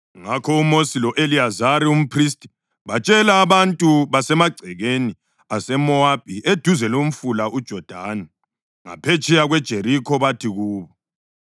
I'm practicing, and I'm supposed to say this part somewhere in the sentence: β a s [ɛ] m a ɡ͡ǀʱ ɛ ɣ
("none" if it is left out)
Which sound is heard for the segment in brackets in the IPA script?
ɛ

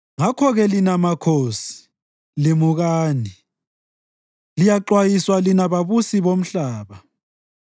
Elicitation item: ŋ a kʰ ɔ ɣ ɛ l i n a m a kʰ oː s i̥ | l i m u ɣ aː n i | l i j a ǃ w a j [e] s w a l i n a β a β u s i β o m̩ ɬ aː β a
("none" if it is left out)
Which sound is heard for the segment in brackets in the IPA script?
i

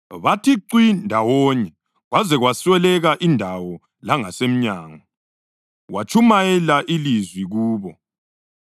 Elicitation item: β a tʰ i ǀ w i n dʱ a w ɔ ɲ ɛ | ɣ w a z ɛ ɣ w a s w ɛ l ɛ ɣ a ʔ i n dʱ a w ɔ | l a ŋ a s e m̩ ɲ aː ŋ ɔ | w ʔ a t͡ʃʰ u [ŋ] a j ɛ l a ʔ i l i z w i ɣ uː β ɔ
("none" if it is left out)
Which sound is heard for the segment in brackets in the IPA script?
m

